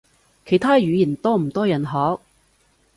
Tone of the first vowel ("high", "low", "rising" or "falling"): low